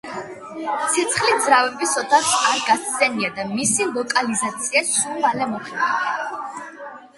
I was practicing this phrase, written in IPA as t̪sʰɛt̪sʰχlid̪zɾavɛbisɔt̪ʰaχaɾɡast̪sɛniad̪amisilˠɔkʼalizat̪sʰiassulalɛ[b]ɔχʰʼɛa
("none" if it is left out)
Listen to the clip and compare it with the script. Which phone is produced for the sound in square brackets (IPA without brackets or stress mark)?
m